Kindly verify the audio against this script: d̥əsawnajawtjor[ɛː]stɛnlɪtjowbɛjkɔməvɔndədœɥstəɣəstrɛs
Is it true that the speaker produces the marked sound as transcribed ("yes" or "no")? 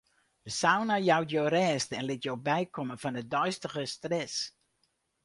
yes